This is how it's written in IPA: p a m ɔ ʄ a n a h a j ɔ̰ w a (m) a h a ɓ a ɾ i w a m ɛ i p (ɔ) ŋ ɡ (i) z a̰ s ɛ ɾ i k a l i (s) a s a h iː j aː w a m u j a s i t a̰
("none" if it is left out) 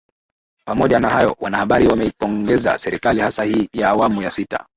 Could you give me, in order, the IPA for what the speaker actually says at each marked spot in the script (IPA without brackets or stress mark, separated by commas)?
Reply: n, ɔ, ɛ, h